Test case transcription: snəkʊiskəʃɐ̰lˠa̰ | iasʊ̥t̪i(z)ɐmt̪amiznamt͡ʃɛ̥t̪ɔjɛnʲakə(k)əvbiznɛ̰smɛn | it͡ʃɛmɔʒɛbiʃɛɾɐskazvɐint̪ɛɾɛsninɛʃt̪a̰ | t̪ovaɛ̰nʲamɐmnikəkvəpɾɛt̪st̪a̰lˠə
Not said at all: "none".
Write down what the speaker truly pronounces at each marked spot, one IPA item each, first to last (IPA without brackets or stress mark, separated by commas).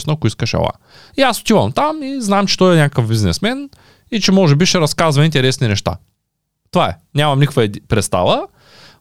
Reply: v, k